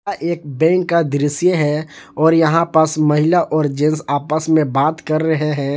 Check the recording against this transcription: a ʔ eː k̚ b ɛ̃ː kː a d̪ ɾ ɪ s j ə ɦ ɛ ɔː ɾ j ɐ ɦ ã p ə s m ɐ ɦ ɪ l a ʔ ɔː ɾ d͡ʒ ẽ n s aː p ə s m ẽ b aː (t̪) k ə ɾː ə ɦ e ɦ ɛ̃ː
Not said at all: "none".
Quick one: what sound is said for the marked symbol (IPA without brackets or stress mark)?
t̪